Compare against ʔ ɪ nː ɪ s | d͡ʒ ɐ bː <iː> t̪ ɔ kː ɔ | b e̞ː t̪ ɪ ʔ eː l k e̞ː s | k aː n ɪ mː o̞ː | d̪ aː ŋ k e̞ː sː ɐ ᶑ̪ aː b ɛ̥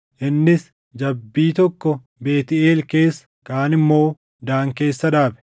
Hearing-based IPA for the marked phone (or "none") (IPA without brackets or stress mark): iː